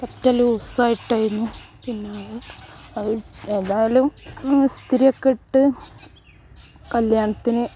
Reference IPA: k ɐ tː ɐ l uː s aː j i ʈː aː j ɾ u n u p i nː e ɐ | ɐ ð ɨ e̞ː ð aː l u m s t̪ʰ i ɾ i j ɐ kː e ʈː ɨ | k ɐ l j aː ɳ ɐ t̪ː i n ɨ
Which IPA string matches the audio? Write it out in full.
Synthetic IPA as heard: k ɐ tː ɐ l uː s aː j i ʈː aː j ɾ u nː u p i nː e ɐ | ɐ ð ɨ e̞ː ð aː l u m s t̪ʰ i ɾ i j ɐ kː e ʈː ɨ | k ɐ l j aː ɳ ɐ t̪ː i n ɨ